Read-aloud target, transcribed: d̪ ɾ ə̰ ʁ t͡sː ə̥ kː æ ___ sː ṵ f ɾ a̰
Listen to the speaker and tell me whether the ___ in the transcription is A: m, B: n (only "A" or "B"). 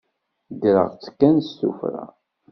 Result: B